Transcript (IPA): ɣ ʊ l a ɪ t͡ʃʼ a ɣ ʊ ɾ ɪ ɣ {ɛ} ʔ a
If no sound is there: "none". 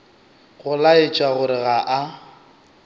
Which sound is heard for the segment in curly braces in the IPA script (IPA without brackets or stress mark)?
a